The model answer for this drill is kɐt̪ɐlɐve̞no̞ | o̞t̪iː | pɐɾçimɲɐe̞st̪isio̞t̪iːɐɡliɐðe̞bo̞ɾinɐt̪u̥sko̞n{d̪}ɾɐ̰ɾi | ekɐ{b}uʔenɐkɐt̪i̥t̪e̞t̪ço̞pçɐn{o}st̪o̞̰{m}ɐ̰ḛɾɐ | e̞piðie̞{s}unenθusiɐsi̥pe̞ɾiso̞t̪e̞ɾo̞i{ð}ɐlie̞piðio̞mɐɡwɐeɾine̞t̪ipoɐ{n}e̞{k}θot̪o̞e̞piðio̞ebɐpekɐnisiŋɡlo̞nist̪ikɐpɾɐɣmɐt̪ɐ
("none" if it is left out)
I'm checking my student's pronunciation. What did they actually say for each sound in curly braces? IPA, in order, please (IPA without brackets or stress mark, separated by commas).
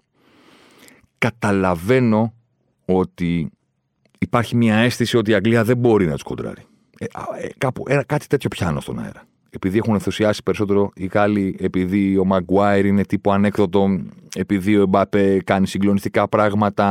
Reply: d̪, p, o, n, x, ɣ, n, k